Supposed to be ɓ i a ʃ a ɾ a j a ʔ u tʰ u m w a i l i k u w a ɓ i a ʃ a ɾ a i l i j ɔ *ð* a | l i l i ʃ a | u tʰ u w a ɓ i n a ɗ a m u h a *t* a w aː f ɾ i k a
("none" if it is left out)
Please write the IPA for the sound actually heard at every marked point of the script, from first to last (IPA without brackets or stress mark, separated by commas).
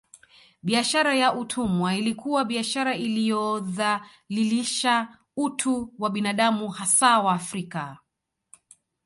ð, s